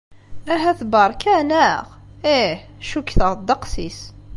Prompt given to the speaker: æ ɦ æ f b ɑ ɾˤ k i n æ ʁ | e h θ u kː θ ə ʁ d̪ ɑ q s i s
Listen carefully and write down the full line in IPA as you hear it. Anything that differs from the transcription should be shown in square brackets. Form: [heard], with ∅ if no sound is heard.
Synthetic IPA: æ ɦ æ [θ] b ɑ ɾˤ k [æ] n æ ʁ | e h [ʃ] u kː θ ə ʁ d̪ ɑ q s i s